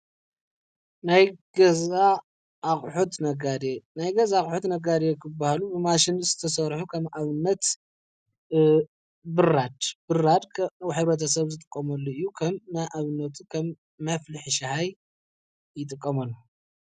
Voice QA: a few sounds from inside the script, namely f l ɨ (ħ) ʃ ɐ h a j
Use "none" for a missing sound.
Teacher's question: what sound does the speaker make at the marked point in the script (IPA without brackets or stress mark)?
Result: ħ